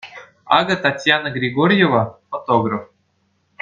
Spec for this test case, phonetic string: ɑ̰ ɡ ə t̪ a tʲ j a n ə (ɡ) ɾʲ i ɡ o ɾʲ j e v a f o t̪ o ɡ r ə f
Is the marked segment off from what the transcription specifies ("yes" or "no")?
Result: no